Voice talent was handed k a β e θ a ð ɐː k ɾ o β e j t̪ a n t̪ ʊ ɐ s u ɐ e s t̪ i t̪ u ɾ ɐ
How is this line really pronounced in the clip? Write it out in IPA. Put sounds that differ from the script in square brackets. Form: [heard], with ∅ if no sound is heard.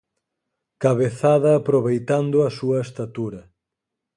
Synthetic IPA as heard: k a β e θ a ð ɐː [p] ɾ o β e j t̪ a n [d̪] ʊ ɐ s u ɐ e s t̪ [a] t̪ u ɾ ɐ